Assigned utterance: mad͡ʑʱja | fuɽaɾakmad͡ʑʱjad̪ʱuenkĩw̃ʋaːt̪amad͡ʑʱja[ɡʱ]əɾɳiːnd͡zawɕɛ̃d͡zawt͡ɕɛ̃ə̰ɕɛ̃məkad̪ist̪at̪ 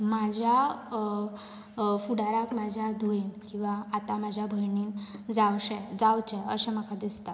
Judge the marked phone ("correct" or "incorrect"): incorrect